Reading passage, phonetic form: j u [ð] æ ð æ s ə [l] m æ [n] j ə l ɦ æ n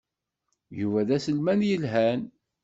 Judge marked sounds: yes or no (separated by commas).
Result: no, yes, yes